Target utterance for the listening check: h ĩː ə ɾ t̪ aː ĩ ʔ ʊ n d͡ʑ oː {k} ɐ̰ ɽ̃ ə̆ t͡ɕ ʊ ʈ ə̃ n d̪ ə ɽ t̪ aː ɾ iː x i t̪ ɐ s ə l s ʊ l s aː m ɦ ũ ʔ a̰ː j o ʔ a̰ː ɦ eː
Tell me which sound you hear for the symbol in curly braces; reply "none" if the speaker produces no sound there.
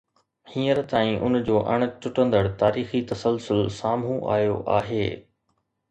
ʔ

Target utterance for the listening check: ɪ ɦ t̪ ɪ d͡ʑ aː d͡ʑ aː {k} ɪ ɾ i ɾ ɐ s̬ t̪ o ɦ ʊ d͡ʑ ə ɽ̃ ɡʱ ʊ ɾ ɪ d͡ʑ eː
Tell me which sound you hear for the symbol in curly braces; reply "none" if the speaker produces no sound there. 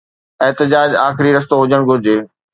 x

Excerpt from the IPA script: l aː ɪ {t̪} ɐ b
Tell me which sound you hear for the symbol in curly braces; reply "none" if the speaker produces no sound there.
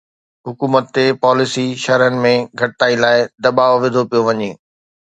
d̪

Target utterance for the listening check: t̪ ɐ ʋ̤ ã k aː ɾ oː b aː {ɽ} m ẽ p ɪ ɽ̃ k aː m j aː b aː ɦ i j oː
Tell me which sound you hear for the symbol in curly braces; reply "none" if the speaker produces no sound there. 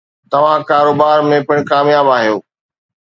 ɾ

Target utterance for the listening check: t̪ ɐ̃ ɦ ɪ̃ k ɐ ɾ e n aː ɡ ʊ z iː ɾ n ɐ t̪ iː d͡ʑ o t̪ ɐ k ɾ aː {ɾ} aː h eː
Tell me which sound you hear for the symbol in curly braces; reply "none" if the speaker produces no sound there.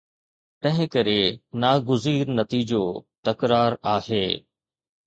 ɾ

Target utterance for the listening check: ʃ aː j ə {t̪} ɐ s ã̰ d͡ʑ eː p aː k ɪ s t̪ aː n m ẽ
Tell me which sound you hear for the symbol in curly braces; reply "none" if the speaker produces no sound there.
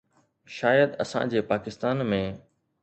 d̪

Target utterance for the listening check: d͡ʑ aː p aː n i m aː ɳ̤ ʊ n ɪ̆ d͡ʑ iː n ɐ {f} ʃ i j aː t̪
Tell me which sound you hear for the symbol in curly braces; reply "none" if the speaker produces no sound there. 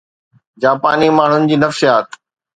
f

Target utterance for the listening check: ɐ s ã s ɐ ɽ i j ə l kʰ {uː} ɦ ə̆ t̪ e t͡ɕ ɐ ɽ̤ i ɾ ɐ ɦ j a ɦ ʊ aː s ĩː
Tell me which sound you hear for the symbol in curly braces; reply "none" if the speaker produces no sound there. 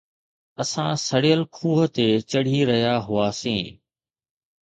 uː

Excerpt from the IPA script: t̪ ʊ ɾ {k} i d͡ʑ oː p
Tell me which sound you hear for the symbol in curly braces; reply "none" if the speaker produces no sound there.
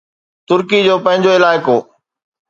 k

